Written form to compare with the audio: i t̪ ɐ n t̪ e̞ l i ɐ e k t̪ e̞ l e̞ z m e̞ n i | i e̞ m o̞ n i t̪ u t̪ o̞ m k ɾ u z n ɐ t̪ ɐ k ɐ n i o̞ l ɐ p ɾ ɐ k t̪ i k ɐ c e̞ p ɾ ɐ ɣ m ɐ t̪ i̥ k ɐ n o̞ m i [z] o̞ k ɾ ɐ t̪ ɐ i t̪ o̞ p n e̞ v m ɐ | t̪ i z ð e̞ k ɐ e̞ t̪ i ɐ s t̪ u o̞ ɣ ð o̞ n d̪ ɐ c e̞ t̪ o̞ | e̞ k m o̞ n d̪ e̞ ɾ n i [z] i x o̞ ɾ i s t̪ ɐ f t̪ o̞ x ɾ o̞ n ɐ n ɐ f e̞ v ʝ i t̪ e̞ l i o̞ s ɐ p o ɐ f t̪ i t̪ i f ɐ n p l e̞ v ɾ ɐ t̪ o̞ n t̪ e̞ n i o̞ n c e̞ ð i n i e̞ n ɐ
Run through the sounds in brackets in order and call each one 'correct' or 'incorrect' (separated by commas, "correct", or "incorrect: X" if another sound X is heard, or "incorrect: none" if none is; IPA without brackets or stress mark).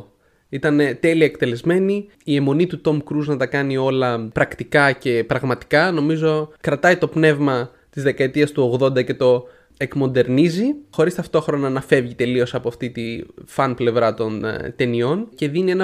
correct, correct